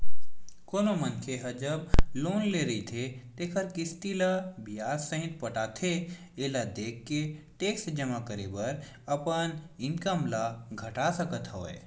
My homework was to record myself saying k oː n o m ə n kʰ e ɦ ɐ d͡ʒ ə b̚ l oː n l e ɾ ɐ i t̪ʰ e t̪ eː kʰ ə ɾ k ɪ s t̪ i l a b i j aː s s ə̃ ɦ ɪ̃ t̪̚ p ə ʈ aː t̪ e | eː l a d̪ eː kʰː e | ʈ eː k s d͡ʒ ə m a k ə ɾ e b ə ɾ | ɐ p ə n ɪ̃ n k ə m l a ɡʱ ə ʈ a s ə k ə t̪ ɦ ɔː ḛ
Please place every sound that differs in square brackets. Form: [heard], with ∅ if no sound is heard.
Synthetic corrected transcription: k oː n o m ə n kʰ e ɦ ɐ d͡ʒ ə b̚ l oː n l e ɾ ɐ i t̪ʰ e t̪ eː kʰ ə ɾ k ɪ s t̪ i l a b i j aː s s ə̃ ɦ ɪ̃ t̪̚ p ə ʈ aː [t̪ʰ] e | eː l a d̪ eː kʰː e | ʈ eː k s d͡ʒ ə m a k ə ɾ e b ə ɾ | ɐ p ə n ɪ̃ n k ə m l a ɡʱ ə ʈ a s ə k ə t̪ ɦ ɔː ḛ